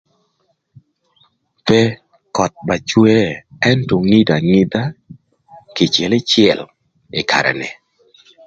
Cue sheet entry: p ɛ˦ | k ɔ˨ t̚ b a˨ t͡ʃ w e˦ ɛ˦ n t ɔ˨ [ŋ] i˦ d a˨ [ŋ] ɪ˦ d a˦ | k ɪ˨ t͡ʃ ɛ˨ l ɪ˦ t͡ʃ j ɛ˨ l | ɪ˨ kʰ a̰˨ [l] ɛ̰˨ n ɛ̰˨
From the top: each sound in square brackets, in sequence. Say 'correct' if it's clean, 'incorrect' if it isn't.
correct, correct, incorrect: ɾ

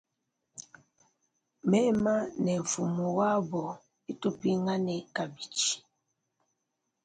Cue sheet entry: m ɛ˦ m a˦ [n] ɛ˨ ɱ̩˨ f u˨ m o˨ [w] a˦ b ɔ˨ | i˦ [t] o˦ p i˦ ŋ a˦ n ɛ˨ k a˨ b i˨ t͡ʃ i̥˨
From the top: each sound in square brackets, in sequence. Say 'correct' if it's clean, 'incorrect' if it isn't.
correct, correct, correct

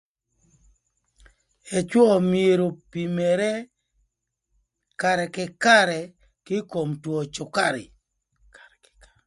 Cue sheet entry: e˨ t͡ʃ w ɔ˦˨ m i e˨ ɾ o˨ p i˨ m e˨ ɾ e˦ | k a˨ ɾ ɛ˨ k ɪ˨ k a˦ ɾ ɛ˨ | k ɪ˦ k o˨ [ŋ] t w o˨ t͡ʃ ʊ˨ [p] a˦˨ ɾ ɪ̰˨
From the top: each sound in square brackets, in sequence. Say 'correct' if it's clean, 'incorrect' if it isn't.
incorrect: m, incorrect: k

